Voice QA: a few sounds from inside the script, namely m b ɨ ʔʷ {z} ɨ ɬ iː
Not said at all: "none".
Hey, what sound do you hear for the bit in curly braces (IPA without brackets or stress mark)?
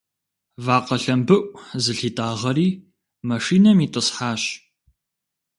z